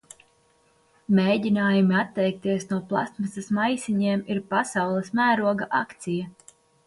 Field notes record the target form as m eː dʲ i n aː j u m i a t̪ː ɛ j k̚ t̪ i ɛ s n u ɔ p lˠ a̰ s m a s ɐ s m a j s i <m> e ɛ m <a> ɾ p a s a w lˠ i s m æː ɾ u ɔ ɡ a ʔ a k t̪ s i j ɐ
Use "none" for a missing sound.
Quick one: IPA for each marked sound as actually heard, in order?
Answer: ɲ, i

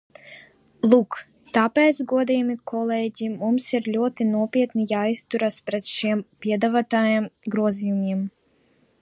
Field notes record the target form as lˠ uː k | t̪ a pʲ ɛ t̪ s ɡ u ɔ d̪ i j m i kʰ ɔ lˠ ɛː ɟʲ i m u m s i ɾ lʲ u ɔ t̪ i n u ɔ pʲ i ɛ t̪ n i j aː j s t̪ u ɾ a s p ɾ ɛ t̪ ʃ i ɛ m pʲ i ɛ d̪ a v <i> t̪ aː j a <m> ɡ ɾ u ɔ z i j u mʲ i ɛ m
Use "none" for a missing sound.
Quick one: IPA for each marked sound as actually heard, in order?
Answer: a, m

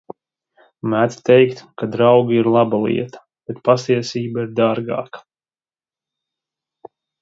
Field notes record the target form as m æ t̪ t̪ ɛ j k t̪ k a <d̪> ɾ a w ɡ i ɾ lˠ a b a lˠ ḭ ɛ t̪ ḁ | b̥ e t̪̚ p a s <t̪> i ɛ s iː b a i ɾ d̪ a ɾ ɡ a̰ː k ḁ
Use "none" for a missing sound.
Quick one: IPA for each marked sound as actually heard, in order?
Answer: d̪, t̪

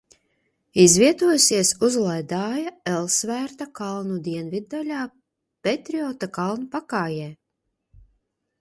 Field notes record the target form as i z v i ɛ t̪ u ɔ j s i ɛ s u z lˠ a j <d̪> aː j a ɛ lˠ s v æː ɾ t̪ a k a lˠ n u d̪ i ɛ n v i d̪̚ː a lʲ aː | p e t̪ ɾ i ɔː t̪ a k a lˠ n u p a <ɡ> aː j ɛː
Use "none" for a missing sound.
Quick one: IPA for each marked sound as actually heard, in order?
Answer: d̪, k

